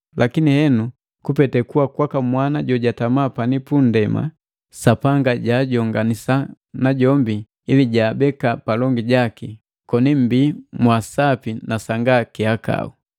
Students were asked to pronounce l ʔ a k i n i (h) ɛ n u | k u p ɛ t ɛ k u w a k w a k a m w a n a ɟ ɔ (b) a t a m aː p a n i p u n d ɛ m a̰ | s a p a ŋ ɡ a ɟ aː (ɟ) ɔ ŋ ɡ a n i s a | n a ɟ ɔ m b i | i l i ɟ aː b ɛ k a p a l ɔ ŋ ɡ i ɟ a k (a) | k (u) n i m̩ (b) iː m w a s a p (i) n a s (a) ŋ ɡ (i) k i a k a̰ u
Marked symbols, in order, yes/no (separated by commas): yes, no, yes, no, no, yes, yes, yes, no